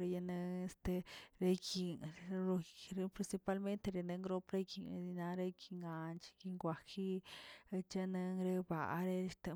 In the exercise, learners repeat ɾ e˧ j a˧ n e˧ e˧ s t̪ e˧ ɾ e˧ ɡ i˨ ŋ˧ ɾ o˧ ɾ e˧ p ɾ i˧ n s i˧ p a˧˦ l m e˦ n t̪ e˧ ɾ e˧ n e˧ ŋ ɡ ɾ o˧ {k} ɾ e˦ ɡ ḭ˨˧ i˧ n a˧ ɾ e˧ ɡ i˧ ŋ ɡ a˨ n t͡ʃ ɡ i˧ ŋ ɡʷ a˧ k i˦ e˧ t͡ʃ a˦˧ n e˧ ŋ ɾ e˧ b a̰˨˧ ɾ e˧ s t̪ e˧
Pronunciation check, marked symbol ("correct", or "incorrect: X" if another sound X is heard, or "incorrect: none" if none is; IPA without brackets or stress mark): incorrect: p